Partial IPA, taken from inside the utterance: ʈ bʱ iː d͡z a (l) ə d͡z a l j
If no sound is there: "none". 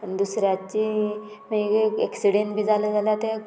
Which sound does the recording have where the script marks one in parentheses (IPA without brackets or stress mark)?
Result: l